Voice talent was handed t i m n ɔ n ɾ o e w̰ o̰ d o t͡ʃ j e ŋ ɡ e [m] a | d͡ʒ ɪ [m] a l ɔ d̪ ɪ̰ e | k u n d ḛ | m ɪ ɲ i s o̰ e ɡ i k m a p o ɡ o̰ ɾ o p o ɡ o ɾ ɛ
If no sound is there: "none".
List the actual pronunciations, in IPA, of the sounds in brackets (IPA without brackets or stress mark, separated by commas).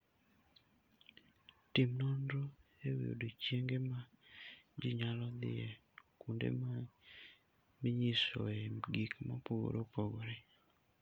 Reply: m, ɲ